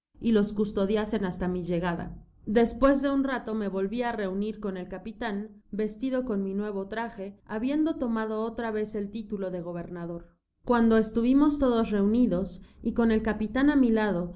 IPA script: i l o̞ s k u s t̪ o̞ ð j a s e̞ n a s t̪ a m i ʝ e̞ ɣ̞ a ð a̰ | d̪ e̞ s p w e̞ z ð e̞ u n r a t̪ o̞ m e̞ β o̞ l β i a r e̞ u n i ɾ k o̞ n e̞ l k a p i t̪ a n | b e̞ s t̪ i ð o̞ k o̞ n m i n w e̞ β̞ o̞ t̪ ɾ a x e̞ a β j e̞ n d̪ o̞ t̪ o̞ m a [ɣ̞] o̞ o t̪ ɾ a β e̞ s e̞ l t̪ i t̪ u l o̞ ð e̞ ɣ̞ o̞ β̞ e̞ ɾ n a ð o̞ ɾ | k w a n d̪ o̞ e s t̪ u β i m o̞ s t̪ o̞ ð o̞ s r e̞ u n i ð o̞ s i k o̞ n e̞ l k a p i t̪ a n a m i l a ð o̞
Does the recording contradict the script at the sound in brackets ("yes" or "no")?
yes